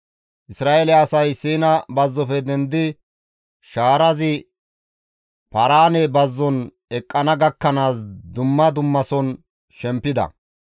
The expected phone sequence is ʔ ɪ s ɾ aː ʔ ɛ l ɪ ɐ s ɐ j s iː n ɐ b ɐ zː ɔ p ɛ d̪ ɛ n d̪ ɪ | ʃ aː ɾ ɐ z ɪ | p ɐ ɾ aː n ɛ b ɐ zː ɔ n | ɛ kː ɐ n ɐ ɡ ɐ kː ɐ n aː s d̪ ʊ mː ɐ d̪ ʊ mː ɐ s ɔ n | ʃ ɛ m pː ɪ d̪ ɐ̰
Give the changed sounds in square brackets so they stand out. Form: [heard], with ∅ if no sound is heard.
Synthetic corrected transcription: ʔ ɪ s ɾ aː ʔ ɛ l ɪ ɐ s ɐ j s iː n ɐ b ɐ zː ɔ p ɛ d̪ ɛ n d̪ ɪ | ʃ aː ɾ ɐ z ɪ | p ɐ ɾ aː n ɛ b ɐ zː ɔ n | ɛ [kʼː] ɐ n ɐ ɡ ɐ kː ɐ n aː s d̪ ʊ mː ɐ d̪ ʊ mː ɐ s ɔ n | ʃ ɛ m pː ɪ d̪ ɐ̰